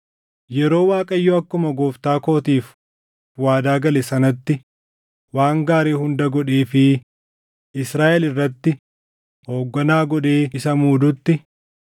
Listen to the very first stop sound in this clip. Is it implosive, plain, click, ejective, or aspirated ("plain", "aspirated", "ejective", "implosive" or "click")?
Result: ejective